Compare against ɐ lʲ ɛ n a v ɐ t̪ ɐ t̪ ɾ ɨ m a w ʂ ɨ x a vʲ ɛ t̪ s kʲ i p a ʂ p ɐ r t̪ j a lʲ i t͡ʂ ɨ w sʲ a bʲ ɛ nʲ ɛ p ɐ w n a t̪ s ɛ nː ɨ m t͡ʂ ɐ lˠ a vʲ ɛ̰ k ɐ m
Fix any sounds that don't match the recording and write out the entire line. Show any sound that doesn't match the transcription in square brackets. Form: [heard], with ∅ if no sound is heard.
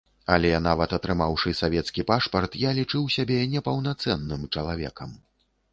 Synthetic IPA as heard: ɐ lʲ ɛ n a v ɐ t̪ ɐ t̪ ɾ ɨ m a w ʂ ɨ [s] a vʲ ɛ t̪ s kʲ i p a ʂ p ɐ r t̪ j a lʲ i t͡ʂ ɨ w sʲ a bʲ ɛ nʲ ɛ p ɐ w n a t̪ s ɛ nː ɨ m t͡ʂ ɐ lˠ a vʲ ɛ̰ k ɐ m